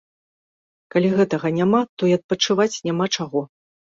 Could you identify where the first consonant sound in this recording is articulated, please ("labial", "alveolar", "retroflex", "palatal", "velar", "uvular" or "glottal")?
velar